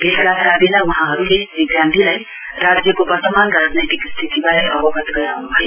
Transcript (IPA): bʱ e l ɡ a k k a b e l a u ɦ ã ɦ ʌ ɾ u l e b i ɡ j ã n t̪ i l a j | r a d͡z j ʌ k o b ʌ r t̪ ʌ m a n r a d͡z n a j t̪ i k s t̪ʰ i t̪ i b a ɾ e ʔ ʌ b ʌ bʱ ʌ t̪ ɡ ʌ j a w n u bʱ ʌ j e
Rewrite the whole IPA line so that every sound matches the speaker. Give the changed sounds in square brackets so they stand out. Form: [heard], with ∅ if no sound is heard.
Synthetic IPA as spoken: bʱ e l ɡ a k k a b e l a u ɦ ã ɦ ʌ ɾ u l e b i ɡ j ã n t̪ i l a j | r a d͡z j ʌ k o b ʌ r t̪ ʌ m a n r a d͡z n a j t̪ i k s t̪ʰ i t̪ i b a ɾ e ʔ ʌ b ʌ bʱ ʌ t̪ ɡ ʌ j a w n u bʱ ʌ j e

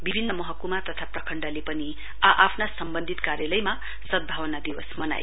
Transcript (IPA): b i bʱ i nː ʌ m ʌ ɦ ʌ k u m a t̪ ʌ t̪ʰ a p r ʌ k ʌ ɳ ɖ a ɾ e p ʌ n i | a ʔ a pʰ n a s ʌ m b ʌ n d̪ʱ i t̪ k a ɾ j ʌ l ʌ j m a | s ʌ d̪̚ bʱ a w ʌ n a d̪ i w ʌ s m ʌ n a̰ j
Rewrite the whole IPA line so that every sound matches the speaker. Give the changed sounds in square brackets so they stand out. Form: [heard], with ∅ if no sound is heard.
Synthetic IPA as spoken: b i bʱ i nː ʌ m ʌ ɦ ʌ k u m a t̪ ʌ t̪ʰ a p r ʌ [kʰ] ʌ ɳ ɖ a [l] e p ʌ n i | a ʔ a pʰ n a s ʌ m b ʌ n d̪ʱ i t̪ k a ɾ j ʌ l ʌ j m a | s ʌ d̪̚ bʱ a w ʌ n a d̪ i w ʌ s m ʌ n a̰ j

